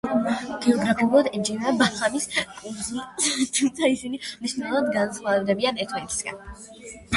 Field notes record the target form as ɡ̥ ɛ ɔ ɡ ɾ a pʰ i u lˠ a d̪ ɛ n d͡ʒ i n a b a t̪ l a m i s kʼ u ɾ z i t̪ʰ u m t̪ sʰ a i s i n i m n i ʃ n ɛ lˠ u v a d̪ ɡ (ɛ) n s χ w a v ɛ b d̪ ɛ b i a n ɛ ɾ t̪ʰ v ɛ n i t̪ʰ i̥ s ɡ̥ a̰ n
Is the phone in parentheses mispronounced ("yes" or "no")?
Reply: yes